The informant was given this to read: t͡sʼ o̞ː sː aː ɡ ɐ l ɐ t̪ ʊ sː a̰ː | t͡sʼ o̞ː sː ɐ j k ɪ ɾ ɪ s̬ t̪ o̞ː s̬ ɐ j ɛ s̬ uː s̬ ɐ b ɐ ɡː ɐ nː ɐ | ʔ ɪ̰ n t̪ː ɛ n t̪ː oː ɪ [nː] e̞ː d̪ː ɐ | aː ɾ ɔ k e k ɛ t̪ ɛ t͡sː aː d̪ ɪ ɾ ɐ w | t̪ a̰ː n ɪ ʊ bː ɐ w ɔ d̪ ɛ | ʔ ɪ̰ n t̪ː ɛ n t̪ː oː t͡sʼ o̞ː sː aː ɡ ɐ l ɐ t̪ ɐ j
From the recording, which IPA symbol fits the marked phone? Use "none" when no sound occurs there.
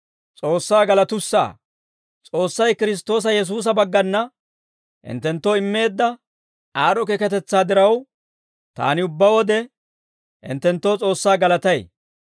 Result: mː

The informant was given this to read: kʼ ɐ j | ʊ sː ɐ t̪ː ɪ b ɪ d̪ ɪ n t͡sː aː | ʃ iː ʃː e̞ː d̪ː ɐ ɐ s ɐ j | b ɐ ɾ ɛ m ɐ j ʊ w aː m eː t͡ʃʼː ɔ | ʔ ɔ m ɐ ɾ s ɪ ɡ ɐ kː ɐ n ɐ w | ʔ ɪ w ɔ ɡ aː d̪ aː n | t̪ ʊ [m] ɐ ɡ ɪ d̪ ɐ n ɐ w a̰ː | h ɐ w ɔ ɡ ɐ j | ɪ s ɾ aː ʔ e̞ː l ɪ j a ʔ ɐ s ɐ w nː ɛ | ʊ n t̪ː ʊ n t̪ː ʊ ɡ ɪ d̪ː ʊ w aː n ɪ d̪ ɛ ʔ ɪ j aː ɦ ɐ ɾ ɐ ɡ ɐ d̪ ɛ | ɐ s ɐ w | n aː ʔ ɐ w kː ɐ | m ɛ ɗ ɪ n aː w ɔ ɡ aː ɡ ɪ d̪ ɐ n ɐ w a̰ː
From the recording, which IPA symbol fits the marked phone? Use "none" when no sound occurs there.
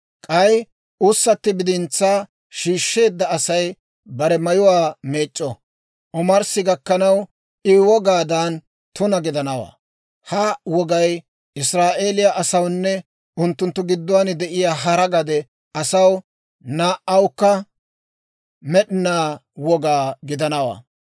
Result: n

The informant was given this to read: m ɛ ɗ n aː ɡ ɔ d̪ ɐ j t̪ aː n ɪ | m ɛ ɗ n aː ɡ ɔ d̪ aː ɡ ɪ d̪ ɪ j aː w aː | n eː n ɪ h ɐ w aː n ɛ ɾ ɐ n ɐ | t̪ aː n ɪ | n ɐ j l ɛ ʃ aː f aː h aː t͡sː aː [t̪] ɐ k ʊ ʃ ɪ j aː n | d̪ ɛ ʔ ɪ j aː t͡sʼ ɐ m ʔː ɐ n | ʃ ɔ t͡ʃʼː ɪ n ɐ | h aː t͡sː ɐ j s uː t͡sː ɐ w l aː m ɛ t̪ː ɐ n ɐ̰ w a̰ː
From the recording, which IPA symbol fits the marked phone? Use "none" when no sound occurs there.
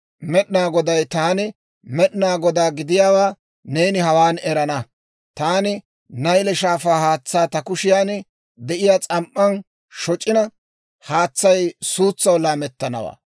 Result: t̪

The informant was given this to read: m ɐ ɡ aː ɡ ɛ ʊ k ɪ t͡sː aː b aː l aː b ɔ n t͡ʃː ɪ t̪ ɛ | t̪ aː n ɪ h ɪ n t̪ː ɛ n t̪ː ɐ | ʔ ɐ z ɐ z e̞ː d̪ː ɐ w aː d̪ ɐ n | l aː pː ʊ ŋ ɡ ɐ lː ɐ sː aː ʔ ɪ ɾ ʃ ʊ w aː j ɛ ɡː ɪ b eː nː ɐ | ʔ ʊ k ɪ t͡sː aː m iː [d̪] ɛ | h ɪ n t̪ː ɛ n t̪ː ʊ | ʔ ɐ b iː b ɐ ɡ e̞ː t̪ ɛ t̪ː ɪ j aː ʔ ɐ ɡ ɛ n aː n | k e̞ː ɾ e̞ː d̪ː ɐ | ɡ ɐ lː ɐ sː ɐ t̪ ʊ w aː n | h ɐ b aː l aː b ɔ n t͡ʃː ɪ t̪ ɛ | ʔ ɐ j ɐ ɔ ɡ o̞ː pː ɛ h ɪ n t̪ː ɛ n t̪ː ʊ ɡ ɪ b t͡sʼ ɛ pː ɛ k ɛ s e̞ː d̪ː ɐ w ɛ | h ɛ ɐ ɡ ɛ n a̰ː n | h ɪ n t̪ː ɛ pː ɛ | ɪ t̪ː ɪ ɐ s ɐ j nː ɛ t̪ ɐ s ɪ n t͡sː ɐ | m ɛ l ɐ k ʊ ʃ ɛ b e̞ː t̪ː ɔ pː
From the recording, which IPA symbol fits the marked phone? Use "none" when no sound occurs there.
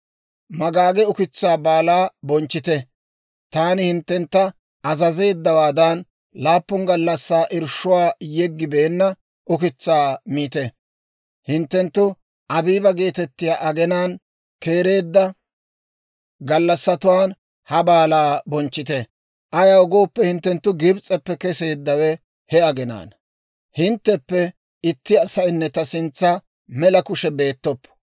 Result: t̪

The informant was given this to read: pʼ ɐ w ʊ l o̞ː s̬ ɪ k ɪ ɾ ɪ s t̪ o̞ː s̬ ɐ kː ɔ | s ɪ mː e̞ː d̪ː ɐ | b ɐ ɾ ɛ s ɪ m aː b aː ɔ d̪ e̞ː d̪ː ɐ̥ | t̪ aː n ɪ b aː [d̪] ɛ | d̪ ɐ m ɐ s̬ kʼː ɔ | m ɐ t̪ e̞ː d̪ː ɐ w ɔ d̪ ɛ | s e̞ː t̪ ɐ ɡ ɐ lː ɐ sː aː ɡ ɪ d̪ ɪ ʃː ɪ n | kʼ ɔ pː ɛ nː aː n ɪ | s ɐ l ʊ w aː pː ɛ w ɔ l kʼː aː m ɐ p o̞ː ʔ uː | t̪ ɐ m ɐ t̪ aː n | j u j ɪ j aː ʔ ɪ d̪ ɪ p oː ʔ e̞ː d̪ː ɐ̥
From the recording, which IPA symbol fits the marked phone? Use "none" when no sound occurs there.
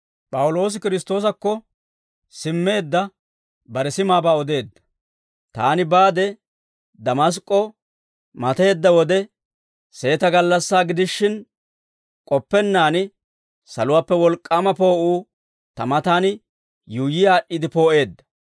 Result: d̪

